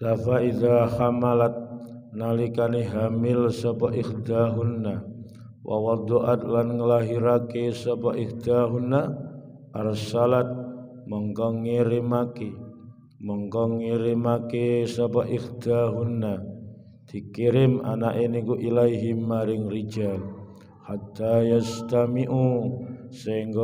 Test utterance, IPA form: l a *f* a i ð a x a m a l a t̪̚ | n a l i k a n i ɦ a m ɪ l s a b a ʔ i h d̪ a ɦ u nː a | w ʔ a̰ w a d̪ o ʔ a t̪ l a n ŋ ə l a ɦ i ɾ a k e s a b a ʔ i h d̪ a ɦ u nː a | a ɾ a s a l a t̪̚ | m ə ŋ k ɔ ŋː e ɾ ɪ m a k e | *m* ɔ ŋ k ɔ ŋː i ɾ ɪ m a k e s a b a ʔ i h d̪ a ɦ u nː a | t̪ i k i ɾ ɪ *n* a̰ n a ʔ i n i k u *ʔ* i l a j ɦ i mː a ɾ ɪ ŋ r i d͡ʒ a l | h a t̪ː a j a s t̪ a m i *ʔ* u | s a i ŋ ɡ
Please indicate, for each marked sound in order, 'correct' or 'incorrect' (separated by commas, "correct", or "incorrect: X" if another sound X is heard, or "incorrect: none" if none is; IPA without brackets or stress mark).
correct, correct, incorrect: m, correct, correct